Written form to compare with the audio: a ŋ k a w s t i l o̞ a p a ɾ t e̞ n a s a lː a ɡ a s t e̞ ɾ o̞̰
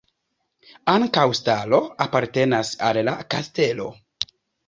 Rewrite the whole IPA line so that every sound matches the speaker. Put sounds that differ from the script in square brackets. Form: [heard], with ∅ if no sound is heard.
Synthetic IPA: a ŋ k a w s t [a] l o̞ a p a ɾ t e̞ n a s a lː a [k] a s t e̞ [l] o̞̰